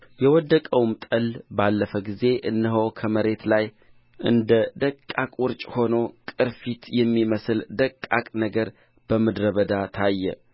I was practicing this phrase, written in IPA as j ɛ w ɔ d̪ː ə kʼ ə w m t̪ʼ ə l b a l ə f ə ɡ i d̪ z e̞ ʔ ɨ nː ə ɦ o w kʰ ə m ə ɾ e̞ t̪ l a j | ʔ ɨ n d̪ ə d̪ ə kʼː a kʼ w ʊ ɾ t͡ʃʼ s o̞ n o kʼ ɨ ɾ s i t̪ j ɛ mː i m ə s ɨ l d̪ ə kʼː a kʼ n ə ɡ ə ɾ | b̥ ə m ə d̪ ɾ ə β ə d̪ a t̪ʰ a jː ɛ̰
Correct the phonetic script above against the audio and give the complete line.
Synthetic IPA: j ɛ w ɔ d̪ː ə kʼ ə w m t̪ʼ ə l b a lː ə f ə ɡ i z e̞ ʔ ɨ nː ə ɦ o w kʰ ə m ə ɾ e̞ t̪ l a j | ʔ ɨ n d̪ ə d̪ ə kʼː a kʼ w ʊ ɾ t͡ʃʼ h o̞ n o kʼ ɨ ɾ f i t̪ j ɛ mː i m ə s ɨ l d̪ ə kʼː a kʼ n ə ɡ ə ɾ | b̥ ə m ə d̪ ɾ ə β ə d̪ a t̪ʰ a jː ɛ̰